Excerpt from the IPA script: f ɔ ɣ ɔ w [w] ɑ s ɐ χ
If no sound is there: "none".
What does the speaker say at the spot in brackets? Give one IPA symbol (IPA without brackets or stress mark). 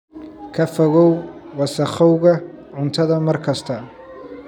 w